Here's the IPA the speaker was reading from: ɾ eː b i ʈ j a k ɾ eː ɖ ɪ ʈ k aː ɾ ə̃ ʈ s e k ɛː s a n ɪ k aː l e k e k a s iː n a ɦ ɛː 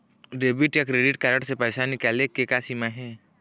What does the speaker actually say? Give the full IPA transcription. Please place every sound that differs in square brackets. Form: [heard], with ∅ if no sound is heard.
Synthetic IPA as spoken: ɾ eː b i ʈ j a k ɾ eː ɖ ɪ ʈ k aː ɾ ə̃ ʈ s e [p] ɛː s a n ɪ k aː l e k e k a s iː [m] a ɦ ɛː